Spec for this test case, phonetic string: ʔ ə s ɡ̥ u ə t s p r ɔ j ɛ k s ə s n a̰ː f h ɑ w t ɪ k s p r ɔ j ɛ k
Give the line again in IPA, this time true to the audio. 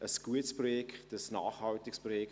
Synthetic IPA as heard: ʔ ə s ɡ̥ u ə t s p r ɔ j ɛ k t ə s n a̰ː χ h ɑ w t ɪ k s p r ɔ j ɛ k